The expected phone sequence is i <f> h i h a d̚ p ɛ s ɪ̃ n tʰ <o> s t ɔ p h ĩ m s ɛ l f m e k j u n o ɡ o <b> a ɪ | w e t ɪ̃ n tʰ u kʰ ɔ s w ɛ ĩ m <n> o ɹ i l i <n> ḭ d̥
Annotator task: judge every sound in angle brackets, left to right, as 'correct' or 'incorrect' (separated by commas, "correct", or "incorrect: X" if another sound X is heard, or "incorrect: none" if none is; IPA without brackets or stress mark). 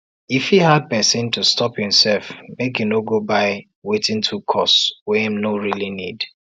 correct, incorrect: u, correct, correct, correct